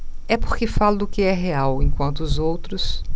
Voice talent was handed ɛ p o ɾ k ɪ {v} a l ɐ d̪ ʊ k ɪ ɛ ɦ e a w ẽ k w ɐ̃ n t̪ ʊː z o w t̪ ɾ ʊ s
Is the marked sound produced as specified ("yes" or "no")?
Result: no